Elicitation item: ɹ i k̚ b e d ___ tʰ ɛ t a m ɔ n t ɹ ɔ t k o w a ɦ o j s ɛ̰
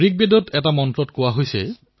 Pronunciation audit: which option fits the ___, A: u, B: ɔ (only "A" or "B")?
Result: B